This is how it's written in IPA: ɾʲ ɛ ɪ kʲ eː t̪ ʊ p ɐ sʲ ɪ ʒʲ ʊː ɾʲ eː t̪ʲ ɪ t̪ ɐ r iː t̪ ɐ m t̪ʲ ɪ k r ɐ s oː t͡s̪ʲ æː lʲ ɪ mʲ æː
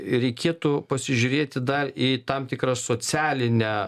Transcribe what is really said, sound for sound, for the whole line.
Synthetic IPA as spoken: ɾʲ ɛ ɪ kʲ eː t̪ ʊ p ɐ sʲ ɪ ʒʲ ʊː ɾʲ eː t̪ʲ ɪ d̪ ɐ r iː t̪ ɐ m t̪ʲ ɪ k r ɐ s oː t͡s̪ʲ æː lʲ ɪ nʲ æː

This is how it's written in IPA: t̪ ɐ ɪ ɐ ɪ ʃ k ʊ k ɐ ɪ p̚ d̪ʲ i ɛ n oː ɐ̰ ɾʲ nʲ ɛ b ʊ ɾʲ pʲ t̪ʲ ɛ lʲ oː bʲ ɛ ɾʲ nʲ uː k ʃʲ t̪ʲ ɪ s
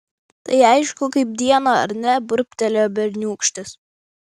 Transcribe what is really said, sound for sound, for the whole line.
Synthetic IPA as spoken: t̪ ɐ ɪ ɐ ɪ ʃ k ʊ k ɐ ɪ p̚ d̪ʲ i ɛ n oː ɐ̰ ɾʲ nʲ ɛ b ʊ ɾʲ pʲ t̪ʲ ɛ lʲ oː bʲ ɛ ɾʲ nʲ uː k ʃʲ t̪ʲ ɪ s

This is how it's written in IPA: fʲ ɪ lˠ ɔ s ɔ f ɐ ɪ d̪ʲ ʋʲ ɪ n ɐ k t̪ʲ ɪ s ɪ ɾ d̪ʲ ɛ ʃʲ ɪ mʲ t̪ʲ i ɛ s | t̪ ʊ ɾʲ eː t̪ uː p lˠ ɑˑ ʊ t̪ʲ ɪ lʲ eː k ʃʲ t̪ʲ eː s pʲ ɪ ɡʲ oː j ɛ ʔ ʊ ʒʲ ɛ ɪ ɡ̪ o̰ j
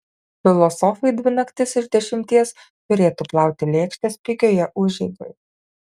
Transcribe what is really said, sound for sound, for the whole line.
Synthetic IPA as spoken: fʲ ɪ lˠ ɔ s ɔ f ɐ ɪ d̪ʲ ʋʲ ɪ n ɐ k t̪ʲ ɪ s ɪ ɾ d̪ʲ ɛ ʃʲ ɪ mʲ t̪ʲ i ɛ s | t̪ ʊ ɾʲ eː t̪ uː p lˠ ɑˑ ʊ t̪ʲ ɪ lʲ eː k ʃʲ t̪ʲ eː s pʲ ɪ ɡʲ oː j ɛ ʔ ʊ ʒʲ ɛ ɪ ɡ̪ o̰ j

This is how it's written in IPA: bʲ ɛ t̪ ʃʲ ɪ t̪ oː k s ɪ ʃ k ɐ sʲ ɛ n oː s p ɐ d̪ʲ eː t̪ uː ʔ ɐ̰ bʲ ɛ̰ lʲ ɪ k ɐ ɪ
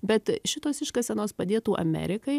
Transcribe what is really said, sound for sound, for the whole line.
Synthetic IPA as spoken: bʲ ɛ t̪ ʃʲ ɪ t̪ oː s ɪ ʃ k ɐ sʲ ɛ n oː s p ɐ d̪ʲ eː t̪ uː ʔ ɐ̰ mʲ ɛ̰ ɾʲ ɪ k ɐ ɪ

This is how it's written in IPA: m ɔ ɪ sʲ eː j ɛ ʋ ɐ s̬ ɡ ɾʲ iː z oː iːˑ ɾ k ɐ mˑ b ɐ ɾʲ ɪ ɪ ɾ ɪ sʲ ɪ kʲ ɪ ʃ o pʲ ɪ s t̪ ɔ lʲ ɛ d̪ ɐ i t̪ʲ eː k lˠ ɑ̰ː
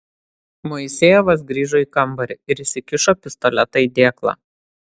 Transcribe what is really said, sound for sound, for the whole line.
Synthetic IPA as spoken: m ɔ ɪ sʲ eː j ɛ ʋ ɐ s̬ ɡ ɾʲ iː ʒ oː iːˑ k ɐ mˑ b ɐ ɾʲ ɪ ɪ ɾ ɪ sʲ ɪ kʲ ɪ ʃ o pʲ ɪ s t̪ ɔ lʲ ɛ t̪ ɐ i d̪ʲ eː k lˠ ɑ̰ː

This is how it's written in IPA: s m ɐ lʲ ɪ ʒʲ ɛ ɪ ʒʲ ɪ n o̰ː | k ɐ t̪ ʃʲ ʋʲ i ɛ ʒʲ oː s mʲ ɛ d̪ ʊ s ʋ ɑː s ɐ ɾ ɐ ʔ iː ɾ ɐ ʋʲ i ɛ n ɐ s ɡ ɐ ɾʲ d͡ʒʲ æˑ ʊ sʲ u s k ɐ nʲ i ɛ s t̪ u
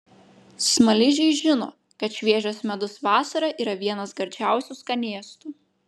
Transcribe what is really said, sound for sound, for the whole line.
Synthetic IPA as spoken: s m ɐ lʲ ɪ ʒʲ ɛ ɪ ʒʲ ɪ n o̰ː | k ɐ t̪ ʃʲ ʋʲ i ɛ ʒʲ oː s mʲ ɛ d̪ ʊ s ʋ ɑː s ɐ ɾ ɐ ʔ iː ɾ ɐ ʋʲ i ɛ n ɐ s ɡ ɐ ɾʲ d͡ʒʲ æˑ ʊ sʲ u s k ɐ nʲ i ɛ s t̪ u

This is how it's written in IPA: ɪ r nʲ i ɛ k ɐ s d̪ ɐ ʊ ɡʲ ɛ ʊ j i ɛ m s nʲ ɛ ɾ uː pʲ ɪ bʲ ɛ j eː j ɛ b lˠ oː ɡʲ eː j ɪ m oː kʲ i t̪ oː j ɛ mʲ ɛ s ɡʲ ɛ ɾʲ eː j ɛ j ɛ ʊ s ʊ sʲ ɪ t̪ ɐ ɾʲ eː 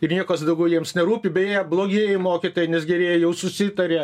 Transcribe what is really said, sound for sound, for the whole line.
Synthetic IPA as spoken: ɪ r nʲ i ɛ k ɐ s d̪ ɐ ʊ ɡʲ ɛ ʊ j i ɛ m s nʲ ɛ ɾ uː pʲ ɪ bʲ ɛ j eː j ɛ b lˠ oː ɡʲ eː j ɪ m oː kʲ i t̪ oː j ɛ nʲ ɛ s ɡʲ ɛ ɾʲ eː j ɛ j ɛ ʊ s ʊ sʲ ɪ t̪ ɐ ɾʲ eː

